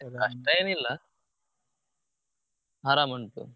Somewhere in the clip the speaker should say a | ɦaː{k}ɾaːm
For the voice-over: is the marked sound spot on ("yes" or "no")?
no